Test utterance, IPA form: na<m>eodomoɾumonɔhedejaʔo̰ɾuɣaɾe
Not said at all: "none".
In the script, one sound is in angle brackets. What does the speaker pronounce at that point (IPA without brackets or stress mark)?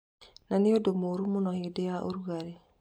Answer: n